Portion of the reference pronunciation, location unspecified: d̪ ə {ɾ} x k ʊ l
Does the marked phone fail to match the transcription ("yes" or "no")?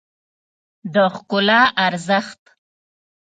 yes